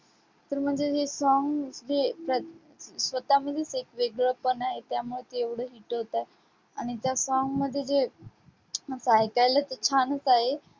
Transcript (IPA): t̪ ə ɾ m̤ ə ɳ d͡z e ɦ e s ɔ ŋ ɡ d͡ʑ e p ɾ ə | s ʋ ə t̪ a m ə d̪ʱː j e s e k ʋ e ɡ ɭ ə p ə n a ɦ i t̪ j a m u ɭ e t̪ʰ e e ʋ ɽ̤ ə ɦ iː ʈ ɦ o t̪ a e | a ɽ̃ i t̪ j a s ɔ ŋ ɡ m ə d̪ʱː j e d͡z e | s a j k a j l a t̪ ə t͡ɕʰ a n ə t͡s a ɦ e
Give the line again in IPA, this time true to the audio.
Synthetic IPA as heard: t̪ ə ɾ m̤ ə ɳ d͡z e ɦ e s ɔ ŋ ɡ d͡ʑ e p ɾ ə | s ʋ ə t̪ a m ə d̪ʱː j e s e k ʋ e ɡ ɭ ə p ə n a ɦ e t̪ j a m u ɭ e t̪ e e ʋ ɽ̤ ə ɦ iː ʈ ɦ o t̪ a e | a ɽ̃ i t̪ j a s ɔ ŋ ɡ m ə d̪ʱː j e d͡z e | s a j k a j l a t̪ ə t͡ɕʰ a n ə t͡s a ɦ e